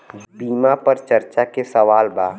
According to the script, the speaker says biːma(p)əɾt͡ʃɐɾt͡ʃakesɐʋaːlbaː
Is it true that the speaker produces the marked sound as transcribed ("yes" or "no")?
yes